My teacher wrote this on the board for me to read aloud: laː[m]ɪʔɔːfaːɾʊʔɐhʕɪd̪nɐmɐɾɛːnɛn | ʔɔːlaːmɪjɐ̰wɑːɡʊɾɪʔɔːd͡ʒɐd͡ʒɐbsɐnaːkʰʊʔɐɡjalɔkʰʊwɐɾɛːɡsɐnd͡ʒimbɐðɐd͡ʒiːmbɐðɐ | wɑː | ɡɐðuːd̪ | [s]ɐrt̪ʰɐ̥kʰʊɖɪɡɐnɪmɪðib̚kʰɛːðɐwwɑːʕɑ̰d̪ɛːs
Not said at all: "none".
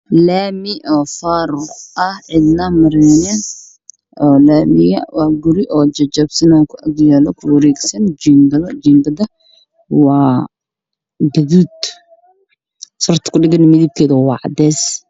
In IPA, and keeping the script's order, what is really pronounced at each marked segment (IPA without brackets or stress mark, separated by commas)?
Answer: m, s